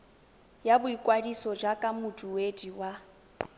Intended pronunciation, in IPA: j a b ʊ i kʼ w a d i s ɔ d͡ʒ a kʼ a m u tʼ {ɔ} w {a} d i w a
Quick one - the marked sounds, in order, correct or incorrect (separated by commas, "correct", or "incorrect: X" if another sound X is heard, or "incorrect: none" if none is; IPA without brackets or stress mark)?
incorrect: u, incorrect: e